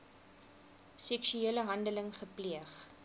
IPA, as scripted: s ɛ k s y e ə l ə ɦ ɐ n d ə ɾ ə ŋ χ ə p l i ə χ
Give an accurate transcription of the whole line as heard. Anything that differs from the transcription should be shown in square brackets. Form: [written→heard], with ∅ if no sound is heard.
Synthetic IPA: s ɛ k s y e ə l ə ɦ ɐ n d ə [ɾ→l] ə ŋ χ ə p l i ə χ